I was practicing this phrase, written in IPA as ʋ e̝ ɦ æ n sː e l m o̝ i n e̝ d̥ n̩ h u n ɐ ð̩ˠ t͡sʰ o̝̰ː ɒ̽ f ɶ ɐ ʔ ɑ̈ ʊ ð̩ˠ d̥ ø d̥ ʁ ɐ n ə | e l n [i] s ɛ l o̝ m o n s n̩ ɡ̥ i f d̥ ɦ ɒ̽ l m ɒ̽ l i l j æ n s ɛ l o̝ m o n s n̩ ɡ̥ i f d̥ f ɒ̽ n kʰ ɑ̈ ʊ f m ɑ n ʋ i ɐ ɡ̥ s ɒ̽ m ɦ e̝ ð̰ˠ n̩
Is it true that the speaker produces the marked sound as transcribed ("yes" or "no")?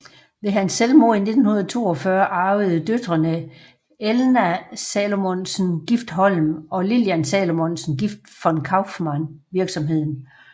no